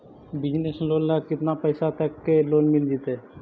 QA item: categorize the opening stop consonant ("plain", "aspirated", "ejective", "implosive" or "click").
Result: plain